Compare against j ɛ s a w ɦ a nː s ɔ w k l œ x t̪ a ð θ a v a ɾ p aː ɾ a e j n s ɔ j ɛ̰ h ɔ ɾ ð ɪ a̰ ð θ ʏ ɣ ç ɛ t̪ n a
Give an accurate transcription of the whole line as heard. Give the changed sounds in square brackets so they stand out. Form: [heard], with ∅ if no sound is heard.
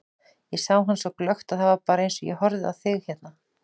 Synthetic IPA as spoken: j ɛ s a w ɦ a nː s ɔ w k l œ x t̪ a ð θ a v a ɾ p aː ɾ a e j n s ɔ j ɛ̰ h ɔ ɾ ð ɪ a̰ ð θ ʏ ɣ ç ɛ t̪ n a

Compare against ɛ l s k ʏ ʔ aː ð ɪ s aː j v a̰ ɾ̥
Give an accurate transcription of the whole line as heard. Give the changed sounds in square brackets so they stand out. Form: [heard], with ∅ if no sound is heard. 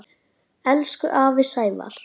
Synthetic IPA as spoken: ɛ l s k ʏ ʔ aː [v] ɪ s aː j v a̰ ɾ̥

